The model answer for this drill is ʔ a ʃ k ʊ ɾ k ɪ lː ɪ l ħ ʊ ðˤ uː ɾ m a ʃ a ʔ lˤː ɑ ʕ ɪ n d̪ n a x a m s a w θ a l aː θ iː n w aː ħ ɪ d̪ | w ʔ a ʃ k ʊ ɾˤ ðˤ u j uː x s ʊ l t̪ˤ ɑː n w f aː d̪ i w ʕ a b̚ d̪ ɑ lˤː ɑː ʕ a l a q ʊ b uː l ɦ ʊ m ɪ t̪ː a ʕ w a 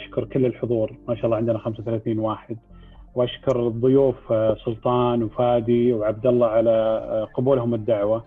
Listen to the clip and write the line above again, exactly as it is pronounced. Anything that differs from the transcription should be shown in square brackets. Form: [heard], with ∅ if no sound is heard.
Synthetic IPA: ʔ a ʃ k ʊ ɾ k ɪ lː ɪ l ħ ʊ ðˤ uː ɾ m a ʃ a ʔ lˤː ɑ ʕ ɪ n d̪ n a x a m s a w θ a l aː θ iː n w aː ħ ɪ d̪ | w ʔ a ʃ k ʊ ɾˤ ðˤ [ʊ] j uː [f] s ʊ l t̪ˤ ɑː n w f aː d̪ i w ʕ a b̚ d̪ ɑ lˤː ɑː ʕ a l a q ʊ b uː l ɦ ʊ m ɪ [d̪ː] a ʕ w a